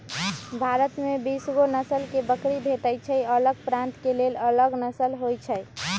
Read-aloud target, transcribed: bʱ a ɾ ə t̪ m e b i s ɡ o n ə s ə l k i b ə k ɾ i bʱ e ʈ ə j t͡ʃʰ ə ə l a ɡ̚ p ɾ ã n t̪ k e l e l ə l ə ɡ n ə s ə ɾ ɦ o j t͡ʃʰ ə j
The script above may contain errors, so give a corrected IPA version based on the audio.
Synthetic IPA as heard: bʱ a ɾ ə t̪ m e b i s ɡ o n ə s ə l k e b ə k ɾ i bʱ e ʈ ə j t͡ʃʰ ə ə l ə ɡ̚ p ɾ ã n t̪ k e l e l ə l ə ɡ n ə s ə l ɦ o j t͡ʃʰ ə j